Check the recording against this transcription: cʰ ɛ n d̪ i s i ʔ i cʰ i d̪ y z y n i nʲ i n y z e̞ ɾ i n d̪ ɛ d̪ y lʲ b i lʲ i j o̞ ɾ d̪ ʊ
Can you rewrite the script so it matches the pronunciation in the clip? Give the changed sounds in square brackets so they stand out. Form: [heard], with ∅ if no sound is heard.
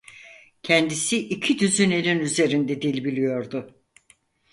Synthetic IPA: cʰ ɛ n d̪ i s i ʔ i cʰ i d̪ y z y n [e] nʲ i n y z e̞ ɾ i n d̪ ɛ d̪ [i] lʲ b i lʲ i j o̞ ɾ d̪ ʊ